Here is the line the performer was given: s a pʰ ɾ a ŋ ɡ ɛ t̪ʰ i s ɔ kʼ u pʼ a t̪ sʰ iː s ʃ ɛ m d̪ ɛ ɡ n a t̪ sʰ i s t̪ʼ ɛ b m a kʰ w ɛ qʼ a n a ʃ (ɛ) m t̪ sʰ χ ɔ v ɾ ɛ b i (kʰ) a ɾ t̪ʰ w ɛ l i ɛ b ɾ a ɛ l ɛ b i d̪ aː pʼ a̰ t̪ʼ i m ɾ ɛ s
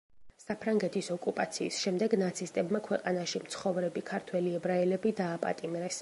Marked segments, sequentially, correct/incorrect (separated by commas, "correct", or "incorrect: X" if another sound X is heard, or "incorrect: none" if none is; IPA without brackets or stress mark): incorrect: i, correct